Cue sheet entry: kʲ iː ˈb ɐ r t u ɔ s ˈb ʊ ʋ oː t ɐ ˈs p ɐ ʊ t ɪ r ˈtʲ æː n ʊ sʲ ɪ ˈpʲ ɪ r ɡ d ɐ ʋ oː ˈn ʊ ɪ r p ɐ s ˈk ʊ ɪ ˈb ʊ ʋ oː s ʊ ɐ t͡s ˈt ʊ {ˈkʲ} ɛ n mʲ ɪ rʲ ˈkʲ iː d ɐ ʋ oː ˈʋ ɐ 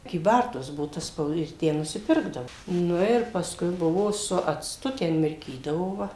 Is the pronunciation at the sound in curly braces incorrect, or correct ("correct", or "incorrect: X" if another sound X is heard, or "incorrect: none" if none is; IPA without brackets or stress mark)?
incorrect: tʲ